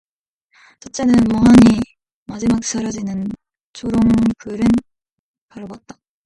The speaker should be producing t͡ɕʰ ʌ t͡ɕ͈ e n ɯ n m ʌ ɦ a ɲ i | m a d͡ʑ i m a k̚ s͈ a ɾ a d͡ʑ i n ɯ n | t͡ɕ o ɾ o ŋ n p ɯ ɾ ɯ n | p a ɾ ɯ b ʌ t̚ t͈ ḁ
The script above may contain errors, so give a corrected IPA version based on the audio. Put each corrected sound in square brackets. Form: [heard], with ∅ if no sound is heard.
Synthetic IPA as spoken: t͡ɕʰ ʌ t͡ɕ͈ e n ɯ n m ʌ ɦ a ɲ i | m a d͡ʑ i m a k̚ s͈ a ɾ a d͡ʑ i n ɯ n | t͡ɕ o ɾ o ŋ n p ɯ ɾ ɯ n | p a ɾ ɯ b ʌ t̚ t͈ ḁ